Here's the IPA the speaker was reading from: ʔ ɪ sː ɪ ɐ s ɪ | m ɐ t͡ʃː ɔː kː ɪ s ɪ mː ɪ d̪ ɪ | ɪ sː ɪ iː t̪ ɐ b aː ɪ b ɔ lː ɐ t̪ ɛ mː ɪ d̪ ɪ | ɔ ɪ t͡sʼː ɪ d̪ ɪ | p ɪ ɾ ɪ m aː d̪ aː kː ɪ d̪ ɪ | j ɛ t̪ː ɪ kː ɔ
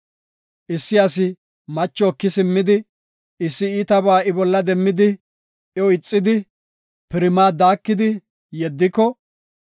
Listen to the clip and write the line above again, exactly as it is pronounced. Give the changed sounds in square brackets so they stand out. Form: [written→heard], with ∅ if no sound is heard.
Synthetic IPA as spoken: ʔ ɪ sː ɪ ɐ s ɪ | m ɐ t͡ʃː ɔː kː ɪ s ɪ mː ɪ d̪ ɪ | ɪ sː ɪ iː t̪ ɐ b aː ɪ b ɔ lː ɐ [t̪→d̪] ɛ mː ɪ d̪ ɪ | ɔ ɪ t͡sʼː ɪ d̪ ɪ | p ɪ ɾ ɪ m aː d̪ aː kː ɪ d̪ ɪ | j ɛ [t̪ː→d̪ː] ɪ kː ɔ